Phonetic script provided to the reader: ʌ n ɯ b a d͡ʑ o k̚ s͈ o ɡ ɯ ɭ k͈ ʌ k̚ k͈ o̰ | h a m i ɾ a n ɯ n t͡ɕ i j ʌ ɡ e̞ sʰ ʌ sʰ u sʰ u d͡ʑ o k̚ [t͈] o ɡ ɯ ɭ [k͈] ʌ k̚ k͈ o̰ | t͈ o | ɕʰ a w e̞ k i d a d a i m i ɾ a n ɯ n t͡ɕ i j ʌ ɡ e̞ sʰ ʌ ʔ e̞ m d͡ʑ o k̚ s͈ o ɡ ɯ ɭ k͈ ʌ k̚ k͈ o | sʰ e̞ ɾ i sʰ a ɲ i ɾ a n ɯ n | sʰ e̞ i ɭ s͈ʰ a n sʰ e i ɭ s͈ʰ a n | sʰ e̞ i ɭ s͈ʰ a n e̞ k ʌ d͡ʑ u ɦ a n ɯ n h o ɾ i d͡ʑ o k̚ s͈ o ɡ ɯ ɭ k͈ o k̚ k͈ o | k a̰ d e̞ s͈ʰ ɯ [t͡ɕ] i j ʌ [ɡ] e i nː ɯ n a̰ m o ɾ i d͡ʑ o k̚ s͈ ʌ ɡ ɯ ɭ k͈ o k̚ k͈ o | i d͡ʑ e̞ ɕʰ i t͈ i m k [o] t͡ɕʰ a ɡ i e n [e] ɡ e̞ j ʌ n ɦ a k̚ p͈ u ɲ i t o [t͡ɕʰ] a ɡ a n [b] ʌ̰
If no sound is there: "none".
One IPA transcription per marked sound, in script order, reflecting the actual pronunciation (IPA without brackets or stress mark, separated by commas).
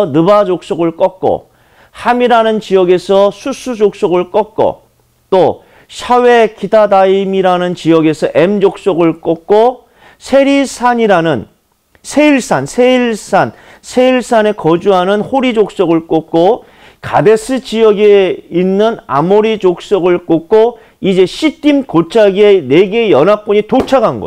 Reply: s͈, k͈, t͡ɕ, ɡ, o, e, t͡ɕʰ, ɡ